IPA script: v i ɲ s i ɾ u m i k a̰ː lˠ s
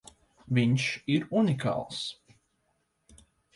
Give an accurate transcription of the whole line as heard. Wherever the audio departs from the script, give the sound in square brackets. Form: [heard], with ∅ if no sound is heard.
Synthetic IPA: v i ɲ [ʃ] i ɾ u [n] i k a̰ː lˠ s